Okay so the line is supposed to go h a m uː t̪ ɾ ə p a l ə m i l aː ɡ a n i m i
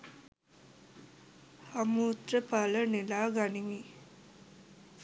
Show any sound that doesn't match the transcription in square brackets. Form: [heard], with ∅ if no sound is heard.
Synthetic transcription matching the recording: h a m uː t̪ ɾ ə p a l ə [n] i l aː ɡ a n i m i